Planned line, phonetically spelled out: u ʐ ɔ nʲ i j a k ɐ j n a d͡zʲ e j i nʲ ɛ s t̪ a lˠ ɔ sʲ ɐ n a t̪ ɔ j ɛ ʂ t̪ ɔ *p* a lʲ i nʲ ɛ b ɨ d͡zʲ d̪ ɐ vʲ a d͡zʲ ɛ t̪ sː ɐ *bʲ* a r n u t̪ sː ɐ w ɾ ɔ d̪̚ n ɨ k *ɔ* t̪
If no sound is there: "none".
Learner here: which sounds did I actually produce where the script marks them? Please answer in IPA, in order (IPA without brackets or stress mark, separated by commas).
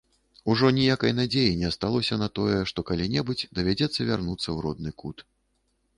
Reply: k, vʲ, u